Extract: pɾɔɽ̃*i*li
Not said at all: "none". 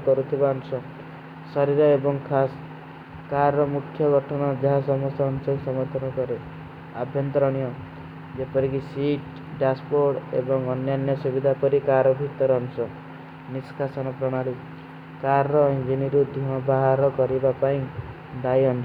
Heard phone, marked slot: a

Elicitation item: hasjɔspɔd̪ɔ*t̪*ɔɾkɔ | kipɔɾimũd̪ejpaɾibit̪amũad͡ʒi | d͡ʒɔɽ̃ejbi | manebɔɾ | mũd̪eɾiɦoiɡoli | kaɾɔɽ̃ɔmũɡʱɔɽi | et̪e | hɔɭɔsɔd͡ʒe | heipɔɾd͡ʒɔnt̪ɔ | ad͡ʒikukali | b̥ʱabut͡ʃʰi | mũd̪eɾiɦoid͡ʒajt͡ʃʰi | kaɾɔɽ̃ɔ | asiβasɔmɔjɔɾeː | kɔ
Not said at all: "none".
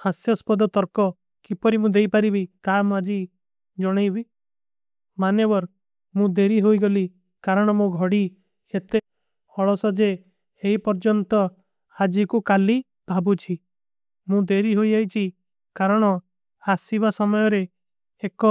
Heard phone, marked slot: t̪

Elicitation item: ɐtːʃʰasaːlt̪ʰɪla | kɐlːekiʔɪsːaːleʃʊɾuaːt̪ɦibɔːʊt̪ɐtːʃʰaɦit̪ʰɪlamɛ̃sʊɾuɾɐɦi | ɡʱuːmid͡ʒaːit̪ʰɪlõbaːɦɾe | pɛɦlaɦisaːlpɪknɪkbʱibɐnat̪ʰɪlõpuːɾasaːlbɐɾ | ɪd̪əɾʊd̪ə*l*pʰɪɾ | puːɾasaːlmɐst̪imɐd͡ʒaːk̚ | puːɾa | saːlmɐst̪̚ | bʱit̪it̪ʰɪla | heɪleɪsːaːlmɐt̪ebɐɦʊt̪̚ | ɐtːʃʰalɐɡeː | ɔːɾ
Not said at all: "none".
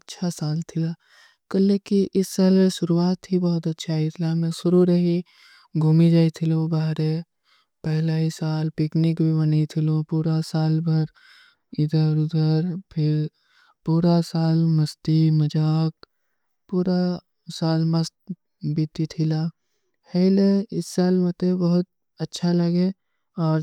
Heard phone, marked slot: ɾ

